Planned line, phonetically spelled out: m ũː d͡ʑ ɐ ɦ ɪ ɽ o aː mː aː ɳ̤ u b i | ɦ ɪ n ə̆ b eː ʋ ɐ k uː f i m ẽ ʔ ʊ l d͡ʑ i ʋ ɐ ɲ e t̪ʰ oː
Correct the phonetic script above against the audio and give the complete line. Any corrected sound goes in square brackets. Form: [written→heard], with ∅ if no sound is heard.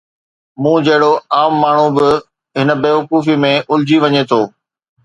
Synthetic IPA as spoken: m ũː d͡ʑ ɐ ɦ ɪ ɽ o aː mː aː ɳ̤ u b [i→ɪ] | ɦ ɪ n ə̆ b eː ʋ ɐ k uː f i m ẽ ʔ ʊ l d͡ʑ i ʋ ɐ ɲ e t̪ʰ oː